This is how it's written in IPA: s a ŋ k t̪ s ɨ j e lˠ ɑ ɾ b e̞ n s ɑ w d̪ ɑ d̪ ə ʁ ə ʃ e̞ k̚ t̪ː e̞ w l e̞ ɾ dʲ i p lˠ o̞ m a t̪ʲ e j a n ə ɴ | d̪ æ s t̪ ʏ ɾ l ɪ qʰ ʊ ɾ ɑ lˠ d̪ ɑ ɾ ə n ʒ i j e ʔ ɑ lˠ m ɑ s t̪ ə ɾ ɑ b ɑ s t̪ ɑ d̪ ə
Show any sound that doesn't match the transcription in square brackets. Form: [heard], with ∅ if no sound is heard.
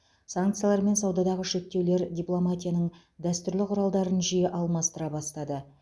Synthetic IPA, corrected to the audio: s a ŋ k t̪ s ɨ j [a] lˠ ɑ ɾ [m] e̞ n s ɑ w d̪ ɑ d̪ [ɑ] ʁ ə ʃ e̞ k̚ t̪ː e̞ w l e̞ ɾ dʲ i p lˠ o̞ m a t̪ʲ [i] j a n ə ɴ | d̪ æ s t̪ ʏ ɾ l ɪ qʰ ʊ ɾ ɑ lˠ d̪ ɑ ɾ ə n ʒ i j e ʔ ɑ lˠ m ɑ s t̪ ə ɾ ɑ b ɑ s t̪ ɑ d̪ ə